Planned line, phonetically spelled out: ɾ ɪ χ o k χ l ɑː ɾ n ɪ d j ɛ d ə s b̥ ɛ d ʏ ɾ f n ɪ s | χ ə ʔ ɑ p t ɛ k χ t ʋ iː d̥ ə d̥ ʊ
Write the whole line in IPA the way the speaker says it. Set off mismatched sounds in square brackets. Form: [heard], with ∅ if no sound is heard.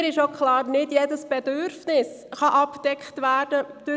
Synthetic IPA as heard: ɾ ɪ [ʃ] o k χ l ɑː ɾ n ɪ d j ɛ d ə s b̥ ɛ d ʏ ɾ f n ɪ s | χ [ɑ] ʔ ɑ p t ɛ k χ t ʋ [æː] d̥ ə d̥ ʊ